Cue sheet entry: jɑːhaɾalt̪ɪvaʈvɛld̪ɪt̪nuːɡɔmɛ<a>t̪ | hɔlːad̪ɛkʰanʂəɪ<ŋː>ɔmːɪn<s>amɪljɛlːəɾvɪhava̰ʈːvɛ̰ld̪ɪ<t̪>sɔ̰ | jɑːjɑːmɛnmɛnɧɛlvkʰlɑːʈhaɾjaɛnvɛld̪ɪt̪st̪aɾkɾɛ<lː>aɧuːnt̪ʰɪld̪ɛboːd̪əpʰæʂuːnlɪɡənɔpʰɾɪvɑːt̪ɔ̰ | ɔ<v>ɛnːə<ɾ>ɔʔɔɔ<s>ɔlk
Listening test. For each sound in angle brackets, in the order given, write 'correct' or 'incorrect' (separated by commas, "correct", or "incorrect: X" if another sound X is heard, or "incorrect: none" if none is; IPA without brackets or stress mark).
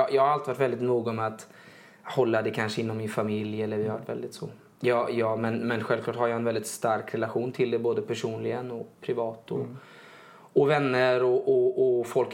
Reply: correct, incorrect: nː, incorrect: f, correct, incorrect: l, correct, correct, incorrect: f